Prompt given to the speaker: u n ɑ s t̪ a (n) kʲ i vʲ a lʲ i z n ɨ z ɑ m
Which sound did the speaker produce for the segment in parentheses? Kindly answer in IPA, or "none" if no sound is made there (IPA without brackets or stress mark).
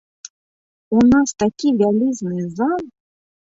none